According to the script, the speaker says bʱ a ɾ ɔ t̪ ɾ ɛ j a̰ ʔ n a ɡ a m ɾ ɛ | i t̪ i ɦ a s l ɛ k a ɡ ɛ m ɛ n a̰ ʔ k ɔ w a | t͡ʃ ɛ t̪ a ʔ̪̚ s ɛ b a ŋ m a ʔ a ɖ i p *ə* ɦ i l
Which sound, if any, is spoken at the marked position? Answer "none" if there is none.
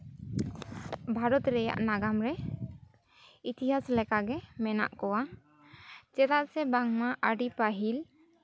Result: a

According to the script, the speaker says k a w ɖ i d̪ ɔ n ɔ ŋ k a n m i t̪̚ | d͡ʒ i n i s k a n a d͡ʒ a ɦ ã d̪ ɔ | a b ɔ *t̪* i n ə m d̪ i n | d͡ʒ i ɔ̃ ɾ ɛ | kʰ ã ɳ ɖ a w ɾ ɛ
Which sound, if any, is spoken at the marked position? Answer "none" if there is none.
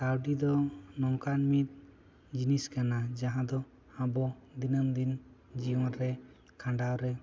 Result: d̪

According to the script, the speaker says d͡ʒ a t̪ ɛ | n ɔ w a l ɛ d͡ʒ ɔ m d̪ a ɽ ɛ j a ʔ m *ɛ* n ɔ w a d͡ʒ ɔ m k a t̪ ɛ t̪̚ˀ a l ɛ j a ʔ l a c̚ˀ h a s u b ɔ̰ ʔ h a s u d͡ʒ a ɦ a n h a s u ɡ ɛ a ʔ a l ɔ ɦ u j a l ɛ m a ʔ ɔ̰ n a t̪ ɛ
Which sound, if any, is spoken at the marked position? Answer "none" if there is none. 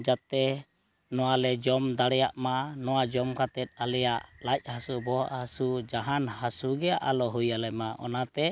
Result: a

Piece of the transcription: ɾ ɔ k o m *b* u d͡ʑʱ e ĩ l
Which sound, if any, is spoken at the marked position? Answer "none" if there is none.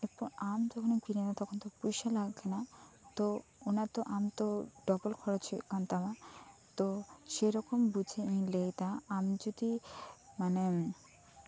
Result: b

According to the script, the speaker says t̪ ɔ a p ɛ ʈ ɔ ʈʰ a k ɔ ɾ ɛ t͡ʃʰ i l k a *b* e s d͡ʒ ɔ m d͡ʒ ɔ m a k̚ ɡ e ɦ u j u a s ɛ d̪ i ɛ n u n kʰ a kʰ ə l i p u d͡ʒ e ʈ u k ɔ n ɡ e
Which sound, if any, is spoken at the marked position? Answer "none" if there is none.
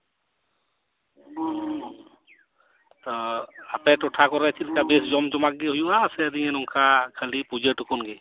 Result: b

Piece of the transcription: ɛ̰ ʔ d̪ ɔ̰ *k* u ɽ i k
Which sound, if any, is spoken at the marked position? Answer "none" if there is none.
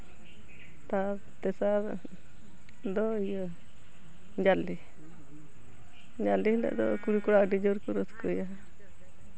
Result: k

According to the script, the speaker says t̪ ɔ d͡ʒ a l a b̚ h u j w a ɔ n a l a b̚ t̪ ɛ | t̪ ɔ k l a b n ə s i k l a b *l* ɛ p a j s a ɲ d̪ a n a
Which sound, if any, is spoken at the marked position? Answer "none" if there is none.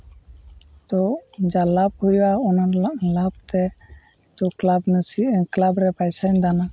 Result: ɾ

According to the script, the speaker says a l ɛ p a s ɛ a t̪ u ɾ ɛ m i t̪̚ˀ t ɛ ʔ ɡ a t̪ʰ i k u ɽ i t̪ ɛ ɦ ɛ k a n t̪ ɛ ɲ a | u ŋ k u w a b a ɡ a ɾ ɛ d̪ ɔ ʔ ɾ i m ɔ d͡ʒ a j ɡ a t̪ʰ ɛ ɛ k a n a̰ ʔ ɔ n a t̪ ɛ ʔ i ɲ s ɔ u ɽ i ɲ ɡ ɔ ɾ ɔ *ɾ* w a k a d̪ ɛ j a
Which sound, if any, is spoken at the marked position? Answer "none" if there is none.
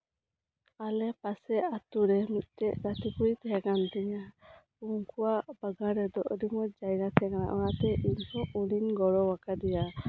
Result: none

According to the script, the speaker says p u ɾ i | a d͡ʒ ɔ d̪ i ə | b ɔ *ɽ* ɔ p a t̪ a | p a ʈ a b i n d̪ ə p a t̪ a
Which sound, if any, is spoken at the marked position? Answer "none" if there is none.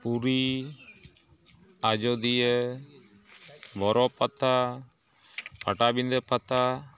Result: ɾ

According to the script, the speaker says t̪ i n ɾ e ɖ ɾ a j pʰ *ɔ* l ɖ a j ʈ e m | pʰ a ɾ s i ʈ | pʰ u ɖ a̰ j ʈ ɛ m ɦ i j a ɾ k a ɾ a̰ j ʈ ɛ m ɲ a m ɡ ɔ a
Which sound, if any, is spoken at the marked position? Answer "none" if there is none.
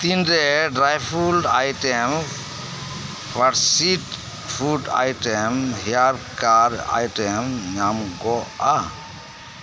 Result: u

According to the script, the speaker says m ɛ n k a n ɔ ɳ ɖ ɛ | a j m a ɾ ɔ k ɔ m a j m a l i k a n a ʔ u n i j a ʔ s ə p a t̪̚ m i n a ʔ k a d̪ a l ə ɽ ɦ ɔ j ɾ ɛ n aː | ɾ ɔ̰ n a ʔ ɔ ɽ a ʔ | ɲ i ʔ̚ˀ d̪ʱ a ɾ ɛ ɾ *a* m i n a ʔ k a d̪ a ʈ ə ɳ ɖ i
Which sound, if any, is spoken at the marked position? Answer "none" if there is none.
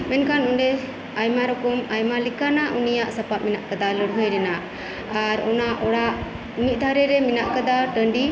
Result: ɛ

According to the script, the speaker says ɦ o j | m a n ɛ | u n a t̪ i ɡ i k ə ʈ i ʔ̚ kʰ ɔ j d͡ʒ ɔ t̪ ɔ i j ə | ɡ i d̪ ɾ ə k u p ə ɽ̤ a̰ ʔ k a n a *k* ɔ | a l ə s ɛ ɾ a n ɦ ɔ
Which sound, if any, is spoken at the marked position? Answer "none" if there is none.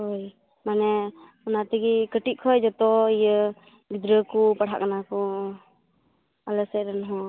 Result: k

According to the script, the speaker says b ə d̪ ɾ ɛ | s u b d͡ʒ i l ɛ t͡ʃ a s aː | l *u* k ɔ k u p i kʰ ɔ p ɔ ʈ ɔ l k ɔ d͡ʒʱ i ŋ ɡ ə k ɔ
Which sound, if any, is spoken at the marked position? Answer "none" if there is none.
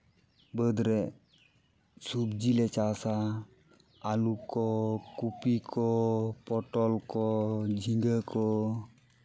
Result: u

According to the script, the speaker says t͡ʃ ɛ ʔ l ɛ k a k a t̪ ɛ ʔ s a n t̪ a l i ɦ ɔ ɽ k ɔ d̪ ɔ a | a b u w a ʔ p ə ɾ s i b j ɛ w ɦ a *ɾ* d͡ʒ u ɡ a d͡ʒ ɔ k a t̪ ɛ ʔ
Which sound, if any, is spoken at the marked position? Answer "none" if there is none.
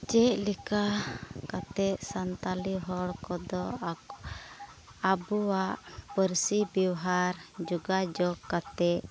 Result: ɾ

